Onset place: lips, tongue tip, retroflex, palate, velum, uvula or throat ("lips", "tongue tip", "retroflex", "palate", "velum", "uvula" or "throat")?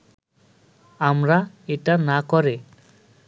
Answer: lips